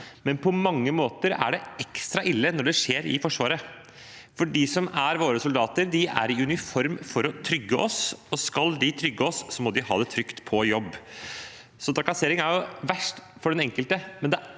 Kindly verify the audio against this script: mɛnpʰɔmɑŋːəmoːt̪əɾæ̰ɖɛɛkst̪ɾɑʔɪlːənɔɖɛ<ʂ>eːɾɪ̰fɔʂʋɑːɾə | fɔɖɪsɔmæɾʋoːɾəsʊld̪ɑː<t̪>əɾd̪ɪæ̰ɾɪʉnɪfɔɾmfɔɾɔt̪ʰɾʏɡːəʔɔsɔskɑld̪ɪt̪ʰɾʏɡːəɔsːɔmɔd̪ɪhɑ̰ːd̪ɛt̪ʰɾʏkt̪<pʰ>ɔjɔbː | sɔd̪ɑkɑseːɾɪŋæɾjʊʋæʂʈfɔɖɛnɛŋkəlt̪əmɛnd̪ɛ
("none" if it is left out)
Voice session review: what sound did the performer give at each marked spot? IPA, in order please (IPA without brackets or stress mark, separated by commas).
ʂ, t̪, pʰ